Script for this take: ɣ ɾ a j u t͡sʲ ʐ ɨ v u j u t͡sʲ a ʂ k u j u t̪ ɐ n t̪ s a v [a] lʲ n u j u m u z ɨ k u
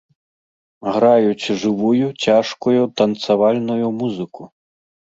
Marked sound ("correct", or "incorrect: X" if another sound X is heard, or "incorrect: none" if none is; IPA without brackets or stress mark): correct